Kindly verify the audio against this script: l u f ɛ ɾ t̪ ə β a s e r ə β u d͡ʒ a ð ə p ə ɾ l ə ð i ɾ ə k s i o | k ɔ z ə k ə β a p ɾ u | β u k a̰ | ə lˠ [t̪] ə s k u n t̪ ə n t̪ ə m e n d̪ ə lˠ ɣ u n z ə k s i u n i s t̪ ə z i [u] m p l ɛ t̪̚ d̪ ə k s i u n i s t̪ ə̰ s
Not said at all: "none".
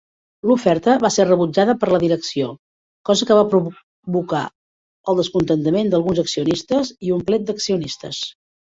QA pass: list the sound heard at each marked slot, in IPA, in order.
d̪, u

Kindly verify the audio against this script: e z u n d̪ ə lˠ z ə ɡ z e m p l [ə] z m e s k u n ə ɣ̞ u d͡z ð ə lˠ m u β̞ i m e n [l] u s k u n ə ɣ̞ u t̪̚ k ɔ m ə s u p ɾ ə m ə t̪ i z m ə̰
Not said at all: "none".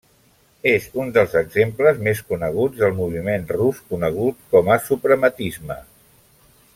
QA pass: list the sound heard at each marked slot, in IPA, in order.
ə, r

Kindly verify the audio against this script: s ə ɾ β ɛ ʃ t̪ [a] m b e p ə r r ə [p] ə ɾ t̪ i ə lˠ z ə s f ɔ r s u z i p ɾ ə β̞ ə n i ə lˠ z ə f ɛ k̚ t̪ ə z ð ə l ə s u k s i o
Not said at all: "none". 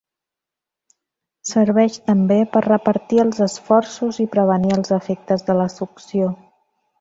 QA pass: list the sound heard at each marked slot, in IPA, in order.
ə, p

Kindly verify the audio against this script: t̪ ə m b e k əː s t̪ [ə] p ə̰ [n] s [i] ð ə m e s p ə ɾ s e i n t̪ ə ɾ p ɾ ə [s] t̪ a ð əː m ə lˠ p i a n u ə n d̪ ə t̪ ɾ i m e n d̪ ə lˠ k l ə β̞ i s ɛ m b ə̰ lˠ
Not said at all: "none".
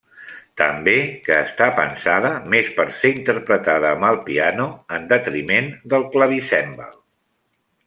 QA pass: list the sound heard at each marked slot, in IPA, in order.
a, n, a, none

